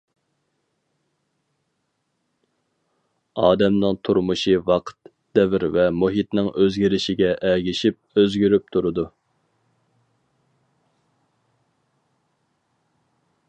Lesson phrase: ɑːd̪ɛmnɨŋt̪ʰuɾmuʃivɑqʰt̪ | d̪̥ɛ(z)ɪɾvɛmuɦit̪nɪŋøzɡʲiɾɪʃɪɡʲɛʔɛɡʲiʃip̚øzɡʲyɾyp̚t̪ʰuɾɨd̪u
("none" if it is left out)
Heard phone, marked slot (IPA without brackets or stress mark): v